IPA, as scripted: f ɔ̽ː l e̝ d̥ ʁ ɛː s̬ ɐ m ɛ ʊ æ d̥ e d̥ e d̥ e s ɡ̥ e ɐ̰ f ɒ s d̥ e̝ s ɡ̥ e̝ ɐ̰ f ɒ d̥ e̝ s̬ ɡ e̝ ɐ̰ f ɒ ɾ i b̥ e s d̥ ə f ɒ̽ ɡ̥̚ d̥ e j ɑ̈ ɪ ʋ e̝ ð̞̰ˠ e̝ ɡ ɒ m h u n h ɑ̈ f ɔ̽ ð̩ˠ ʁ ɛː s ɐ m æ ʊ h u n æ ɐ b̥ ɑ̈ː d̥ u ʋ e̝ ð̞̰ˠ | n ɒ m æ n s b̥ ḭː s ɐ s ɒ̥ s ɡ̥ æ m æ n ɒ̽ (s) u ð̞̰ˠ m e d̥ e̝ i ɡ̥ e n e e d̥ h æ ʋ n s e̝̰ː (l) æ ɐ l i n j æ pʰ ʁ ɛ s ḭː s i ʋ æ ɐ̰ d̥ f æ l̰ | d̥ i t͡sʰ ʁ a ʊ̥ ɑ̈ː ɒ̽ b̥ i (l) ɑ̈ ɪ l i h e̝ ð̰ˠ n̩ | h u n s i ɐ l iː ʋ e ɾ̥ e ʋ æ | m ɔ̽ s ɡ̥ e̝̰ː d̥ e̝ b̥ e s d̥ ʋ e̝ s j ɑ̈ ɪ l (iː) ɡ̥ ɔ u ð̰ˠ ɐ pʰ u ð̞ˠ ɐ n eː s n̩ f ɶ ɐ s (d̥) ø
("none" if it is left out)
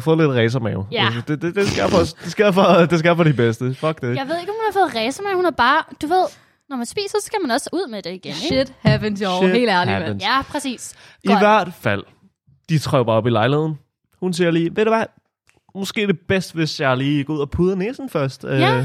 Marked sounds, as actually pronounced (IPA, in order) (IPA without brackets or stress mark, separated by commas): s, l, l, iː, d̥